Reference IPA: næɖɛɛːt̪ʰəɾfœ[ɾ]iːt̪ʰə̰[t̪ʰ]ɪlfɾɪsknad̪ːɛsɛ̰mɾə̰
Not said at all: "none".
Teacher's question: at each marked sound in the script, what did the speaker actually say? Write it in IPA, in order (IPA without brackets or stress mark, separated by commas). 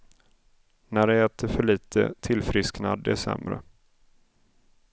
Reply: ɭ, t̪ʰ